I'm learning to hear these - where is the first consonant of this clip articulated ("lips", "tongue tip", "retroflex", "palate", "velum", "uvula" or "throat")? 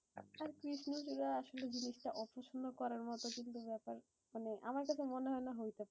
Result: tongue tip